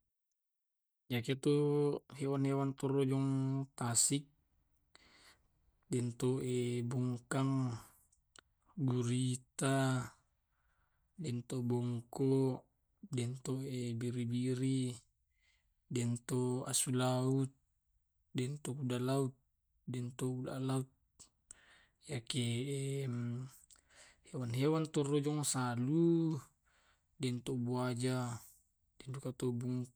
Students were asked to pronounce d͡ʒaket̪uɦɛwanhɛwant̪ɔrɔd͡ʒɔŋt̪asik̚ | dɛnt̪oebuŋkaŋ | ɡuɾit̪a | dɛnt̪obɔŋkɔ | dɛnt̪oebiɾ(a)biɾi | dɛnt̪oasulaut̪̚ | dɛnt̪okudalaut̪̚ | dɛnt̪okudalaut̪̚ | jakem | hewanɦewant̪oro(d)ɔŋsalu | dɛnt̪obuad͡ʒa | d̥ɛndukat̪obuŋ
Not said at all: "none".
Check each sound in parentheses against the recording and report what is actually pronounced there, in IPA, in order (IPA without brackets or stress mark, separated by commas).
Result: i, d͡ʒ